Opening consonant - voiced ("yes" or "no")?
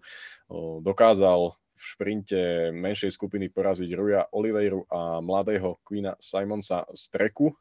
yes